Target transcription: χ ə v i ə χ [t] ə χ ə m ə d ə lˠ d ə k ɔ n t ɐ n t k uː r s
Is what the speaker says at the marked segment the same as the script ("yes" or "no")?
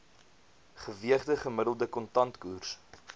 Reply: no